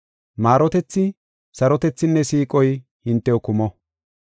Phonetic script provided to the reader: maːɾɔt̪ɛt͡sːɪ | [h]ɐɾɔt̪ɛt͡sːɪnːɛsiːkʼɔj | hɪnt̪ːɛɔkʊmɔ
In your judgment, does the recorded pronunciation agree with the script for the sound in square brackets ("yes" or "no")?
no